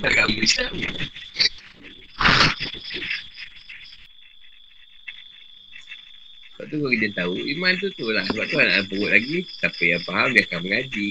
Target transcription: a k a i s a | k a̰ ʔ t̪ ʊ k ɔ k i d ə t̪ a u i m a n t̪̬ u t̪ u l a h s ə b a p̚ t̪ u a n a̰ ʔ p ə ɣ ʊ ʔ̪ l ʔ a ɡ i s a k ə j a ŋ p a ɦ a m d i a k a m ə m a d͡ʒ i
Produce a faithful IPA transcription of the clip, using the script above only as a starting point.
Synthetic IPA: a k a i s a | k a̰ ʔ t̪ u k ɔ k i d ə t̪ a u i m a n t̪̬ u t̪ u l a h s ə b a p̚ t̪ u a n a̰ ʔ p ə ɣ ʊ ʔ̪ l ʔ a ɡ i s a p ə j a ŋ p a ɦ a m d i a k a m ə ŋ a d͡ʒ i